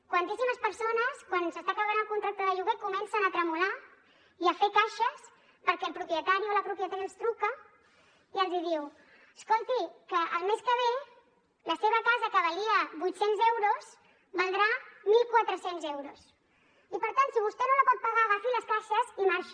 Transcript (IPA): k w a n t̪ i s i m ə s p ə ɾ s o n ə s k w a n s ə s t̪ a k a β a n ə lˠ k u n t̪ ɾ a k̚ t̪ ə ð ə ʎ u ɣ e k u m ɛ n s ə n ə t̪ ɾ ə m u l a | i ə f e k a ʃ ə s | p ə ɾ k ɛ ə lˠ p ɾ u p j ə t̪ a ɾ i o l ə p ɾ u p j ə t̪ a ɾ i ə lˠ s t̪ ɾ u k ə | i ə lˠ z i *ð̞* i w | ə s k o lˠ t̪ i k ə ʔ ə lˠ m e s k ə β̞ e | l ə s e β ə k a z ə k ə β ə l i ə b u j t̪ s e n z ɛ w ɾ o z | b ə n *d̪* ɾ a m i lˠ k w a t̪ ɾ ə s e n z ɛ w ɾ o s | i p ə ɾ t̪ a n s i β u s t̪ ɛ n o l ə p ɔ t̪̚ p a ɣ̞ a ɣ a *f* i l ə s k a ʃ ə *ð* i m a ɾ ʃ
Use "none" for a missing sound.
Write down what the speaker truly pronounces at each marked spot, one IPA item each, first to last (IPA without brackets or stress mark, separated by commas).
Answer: ð̞, d̪, f, z